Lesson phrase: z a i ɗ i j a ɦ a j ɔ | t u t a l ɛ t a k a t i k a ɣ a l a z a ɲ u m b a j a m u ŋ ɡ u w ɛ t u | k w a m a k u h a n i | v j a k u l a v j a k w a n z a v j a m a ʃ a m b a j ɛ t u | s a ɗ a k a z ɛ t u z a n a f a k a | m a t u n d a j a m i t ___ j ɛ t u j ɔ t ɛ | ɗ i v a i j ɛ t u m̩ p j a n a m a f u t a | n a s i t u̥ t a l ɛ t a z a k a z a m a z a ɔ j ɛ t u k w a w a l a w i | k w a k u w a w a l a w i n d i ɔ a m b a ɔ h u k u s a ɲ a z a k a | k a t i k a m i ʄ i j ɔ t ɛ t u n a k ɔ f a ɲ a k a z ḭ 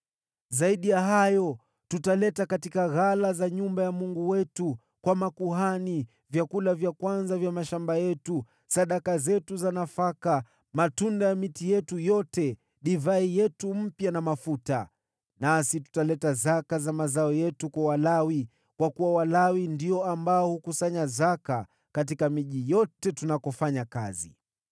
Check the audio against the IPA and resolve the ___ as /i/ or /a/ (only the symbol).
i